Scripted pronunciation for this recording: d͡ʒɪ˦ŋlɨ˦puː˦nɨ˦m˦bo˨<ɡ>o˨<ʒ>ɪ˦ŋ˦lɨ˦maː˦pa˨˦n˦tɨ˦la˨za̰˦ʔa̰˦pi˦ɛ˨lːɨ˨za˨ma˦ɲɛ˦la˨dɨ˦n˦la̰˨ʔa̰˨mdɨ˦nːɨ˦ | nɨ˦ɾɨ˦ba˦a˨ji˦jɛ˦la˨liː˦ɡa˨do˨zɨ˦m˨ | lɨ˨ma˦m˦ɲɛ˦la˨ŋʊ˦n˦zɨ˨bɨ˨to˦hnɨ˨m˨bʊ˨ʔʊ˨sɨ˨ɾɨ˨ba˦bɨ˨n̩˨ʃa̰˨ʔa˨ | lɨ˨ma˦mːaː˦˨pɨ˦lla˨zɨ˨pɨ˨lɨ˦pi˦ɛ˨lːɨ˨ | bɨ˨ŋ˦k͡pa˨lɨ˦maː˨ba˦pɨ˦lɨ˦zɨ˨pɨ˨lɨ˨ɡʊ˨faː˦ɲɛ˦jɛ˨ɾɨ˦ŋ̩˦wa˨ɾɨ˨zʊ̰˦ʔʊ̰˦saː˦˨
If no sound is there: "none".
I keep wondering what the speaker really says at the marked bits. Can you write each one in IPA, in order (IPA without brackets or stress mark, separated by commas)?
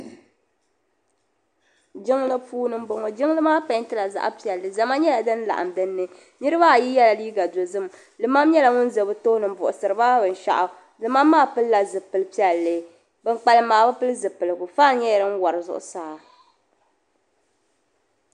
ŋ, d͡ʒ